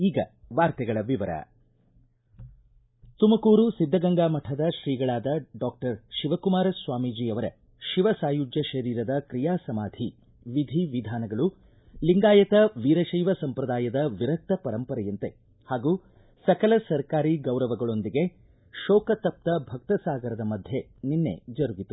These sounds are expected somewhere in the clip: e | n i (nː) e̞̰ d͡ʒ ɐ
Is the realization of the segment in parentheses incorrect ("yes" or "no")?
no